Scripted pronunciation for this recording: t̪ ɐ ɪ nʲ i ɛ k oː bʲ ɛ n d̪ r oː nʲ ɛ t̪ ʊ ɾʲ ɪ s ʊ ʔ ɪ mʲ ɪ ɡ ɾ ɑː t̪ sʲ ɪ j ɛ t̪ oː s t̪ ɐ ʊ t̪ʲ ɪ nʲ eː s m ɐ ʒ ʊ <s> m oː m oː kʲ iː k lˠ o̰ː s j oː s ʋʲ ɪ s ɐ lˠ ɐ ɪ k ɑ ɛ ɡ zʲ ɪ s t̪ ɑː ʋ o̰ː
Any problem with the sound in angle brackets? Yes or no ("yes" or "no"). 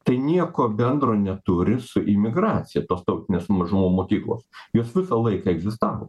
yes